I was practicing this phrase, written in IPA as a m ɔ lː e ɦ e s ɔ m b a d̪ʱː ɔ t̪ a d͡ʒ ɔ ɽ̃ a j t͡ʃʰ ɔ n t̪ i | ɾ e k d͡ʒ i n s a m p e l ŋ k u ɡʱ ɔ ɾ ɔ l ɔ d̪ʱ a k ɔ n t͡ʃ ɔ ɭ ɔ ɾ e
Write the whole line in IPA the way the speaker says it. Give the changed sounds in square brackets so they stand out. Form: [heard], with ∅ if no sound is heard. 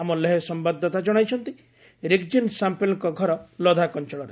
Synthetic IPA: a m ɔ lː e ɦ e s ɔ m b a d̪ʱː ɔ t̪ a d͡ʒ ɔ ɽ̃ a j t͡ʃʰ ɔ n t̪ i | ɾ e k d͡ʒ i n s a m p e l ŋ k [ɔ] ɡʱ ɔ ɾ ɔ l ɔ d̪ʱ a k ɔ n t͡ʃ ɔ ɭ ɔ ɾ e